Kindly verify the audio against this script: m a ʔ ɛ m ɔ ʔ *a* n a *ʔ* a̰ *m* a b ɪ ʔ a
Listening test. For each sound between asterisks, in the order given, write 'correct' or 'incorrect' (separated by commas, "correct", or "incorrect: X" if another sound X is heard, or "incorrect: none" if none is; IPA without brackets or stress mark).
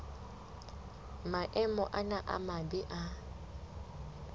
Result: correct, correct, correct